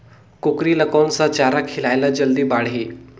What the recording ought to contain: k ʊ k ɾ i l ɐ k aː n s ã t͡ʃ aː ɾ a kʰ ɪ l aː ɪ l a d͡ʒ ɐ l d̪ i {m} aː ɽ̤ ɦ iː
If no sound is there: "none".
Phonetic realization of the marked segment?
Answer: b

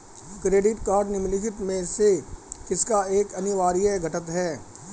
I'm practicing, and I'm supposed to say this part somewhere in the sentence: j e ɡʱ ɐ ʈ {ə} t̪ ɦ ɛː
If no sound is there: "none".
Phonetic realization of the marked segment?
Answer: ə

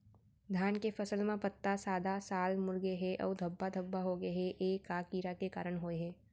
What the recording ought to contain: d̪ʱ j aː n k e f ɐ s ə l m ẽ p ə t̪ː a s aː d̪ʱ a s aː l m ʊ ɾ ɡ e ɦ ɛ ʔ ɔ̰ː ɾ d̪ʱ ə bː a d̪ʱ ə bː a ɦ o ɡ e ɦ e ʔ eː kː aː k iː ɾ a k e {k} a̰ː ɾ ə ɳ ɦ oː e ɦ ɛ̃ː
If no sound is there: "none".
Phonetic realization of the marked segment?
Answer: k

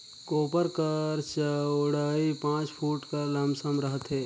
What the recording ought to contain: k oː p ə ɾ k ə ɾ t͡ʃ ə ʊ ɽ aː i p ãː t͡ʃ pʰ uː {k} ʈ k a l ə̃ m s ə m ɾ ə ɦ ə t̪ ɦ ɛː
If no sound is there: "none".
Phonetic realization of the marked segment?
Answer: none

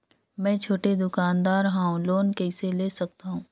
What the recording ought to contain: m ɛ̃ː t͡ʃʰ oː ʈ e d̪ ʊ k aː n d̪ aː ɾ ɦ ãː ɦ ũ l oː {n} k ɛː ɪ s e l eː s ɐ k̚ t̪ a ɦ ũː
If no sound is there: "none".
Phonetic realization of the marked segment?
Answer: n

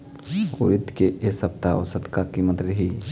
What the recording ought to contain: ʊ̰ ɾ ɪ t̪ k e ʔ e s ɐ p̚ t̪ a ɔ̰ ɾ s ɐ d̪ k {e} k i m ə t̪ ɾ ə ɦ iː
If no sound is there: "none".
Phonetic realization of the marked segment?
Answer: a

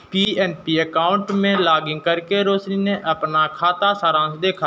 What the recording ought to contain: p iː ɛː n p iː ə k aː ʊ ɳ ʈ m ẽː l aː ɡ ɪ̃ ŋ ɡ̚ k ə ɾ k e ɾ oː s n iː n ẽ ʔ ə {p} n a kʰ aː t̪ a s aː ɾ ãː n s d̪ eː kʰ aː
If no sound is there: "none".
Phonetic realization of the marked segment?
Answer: p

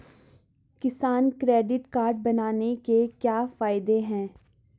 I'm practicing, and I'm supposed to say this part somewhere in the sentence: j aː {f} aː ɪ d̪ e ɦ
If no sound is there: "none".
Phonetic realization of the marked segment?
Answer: f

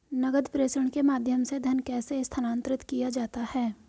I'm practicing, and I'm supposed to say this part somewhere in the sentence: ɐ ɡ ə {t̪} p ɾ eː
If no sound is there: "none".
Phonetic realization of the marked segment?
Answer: d̪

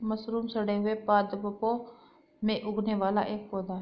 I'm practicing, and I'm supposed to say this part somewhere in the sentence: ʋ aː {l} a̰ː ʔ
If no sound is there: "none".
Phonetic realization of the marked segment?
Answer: l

